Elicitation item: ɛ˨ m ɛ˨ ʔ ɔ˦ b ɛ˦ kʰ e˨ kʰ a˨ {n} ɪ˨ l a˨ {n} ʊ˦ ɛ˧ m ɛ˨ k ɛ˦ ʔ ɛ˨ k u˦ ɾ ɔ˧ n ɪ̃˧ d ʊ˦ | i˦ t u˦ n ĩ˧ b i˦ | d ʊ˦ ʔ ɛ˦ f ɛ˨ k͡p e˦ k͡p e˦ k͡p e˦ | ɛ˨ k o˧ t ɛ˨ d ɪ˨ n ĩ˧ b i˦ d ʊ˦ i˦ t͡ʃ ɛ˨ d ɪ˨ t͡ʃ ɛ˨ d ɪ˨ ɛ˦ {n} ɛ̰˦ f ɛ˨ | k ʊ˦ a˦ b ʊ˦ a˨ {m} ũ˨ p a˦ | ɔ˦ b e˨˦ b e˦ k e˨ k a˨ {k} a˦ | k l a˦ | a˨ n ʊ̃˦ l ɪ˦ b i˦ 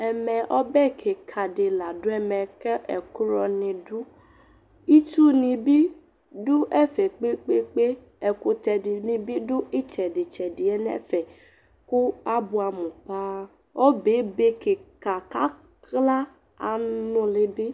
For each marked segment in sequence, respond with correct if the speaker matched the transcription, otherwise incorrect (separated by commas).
incorrect, incorrect, correct, correct, correct